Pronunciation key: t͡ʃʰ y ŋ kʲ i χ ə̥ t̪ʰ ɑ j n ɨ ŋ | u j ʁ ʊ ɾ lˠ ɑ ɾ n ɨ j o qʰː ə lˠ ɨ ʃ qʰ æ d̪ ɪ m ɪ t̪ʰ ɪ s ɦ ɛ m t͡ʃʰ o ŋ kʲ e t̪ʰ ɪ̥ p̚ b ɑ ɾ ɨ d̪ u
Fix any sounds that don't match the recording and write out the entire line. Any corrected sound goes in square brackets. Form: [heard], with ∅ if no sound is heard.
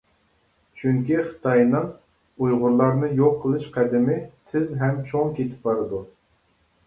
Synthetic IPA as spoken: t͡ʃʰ y ŋ kʲ i χ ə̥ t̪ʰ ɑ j n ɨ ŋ | u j ʁ ʊ ɾ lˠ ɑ ɾ n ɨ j o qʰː ə lˠ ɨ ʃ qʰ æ d̪ ɪ m ɪ t̪ʰ ɪ [z] ɦ ɛ m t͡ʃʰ o ŋ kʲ e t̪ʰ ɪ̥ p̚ b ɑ ɾ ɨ d̪ u